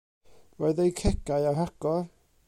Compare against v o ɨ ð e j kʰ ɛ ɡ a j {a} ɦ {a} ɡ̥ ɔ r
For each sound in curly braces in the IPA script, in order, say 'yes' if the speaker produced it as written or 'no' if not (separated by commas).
yes, yes